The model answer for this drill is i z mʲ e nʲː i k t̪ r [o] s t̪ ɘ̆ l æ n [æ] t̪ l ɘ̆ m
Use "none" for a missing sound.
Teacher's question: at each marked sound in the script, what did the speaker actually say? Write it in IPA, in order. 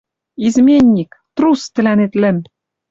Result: u, e

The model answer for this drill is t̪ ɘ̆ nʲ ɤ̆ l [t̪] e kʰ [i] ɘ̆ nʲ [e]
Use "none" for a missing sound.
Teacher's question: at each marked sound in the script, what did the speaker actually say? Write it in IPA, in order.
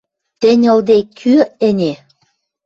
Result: d̪, y, e

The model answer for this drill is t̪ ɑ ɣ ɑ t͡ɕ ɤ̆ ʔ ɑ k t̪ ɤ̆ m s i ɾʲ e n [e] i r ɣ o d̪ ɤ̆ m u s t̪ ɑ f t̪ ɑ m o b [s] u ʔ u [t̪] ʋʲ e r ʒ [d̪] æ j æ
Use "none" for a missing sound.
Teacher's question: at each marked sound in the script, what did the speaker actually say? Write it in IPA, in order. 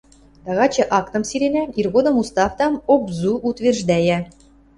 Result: æ, z, t̪, d̪

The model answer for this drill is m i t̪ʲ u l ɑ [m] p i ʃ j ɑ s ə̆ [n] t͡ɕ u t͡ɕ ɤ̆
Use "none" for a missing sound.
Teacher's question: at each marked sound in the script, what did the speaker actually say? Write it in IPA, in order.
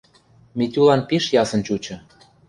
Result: n, n

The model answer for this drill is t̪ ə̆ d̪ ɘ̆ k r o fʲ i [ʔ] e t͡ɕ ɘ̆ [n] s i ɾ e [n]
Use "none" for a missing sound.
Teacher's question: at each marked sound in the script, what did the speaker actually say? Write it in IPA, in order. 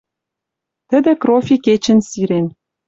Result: k, n, n

